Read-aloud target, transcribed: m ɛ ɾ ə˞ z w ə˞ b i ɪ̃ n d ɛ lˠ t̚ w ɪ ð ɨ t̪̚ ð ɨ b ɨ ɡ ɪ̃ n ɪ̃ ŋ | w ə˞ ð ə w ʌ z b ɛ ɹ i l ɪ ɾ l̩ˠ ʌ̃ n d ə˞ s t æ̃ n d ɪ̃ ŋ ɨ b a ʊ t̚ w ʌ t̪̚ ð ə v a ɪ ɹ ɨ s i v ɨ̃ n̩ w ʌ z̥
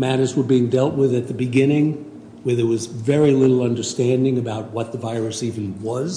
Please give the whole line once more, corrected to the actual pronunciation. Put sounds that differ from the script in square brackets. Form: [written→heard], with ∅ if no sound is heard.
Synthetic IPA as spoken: m [ɛ→æ] ɾ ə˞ z w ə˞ b i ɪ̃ [n→ŋ] d ɛ lˠ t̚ w ɪ ð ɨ t̪̚ ð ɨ b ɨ ɡ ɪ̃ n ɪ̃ ŋ | w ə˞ ð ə w ʌ z [b→v] ɛ ɹ i l ɪ ɾ l̩ˠ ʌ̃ n d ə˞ s t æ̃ n d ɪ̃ ŋ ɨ b a ʊ t̚ w ʌ t̪̚ ð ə v a ɪ ɹ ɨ s i v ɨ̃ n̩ w ʌ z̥